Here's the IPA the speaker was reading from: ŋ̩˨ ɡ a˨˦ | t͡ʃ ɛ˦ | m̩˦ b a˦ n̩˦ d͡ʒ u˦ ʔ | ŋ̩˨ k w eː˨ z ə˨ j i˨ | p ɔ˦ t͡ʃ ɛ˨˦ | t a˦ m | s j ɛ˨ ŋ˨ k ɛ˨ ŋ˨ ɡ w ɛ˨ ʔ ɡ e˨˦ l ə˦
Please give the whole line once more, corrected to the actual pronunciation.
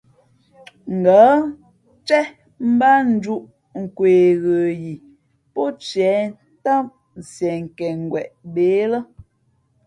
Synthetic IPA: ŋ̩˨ ɡ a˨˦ | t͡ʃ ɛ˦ | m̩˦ b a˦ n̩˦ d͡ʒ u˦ ʔ | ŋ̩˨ k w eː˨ ɣ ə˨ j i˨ | p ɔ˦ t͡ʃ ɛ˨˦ | t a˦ m | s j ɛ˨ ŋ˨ k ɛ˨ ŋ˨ ɡ w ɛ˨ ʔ b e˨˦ l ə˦